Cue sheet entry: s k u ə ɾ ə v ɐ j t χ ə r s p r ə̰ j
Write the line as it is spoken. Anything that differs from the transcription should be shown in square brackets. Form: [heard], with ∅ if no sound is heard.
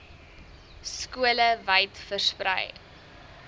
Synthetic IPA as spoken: s k u ə [l] ə v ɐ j t [f] ə r s p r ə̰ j